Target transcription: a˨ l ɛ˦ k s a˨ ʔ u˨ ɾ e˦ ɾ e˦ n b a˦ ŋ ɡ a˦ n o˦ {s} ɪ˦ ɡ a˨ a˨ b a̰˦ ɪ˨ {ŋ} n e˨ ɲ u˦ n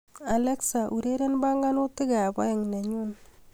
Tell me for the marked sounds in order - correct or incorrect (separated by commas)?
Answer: incorrect, correct